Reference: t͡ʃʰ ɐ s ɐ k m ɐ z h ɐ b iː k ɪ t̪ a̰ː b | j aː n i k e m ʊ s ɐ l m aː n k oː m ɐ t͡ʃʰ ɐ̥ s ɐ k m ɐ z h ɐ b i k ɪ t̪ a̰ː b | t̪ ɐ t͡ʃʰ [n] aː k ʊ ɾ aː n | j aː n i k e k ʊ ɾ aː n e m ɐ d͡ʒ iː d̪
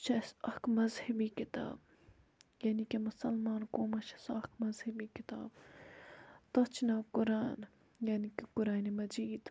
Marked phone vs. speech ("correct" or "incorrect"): correct